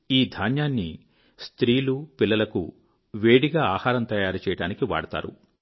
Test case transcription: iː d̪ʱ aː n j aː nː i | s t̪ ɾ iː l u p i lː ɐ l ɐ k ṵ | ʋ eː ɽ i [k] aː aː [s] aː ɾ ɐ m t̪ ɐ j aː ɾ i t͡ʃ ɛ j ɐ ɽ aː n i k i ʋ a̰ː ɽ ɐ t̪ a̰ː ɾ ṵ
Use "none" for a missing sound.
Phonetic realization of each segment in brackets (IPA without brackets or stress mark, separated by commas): ɡ, h